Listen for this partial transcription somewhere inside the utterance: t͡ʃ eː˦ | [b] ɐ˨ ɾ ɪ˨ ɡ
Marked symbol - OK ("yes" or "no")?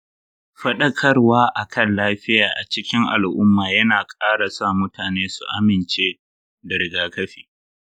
no